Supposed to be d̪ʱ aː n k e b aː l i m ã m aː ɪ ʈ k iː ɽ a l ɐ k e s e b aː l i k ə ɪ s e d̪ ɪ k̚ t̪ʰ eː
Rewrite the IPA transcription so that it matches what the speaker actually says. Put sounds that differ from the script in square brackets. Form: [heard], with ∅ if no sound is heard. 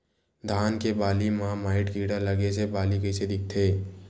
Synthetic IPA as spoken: d̪ʱ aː n k e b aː l i m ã m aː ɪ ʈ k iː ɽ a l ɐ [ɡ] e s e b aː l i k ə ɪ s e d̪ ɪ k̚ t̪ʰ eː